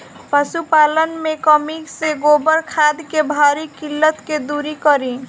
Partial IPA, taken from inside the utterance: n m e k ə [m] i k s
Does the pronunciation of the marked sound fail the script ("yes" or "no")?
no